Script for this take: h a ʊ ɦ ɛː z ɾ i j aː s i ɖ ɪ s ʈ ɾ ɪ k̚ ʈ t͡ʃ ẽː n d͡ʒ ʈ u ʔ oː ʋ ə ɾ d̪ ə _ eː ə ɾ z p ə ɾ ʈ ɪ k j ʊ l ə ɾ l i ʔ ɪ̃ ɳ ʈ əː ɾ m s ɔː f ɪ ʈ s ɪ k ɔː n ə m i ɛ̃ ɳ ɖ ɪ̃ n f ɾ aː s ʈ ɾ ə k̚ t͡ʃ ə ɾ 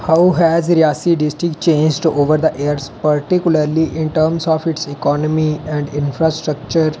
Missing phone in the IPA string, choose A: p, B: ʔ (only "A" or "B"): B